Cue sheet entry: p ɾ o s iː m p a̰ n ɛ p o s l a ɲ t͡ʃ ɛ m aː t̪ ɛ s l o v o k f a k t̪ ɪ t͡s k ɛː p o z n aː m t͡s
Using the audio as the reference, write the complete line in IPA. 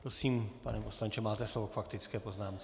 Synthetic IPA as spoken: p ɾ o s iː m p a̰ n ɛ p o s l a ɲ t͡ʃ ɛ m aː t̪ ɛ s l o v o k f a k t̪ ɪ t͡s k ɛː p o z n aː m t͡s